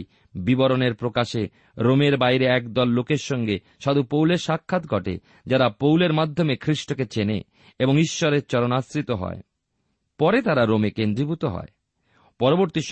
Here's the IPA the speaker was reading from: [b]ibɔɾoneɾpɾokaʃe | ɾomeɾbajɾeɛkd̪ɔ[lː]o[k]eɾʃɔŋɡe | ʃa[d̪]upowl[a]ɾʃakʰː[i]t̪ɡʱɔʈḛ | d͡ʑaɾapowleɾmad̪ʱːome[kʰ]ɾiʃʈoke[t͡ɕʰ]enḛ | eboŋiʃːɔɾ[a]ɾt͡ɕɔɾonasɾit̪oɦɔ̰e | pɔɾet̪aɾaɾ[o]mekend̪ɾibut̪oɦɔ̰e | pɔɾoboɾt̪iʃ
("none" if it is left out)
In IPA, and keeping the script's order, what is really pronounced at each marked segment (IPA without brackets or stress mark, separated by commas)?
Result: b, lː, k, d̪, e, a, kʰ, t͡ɕ, e, o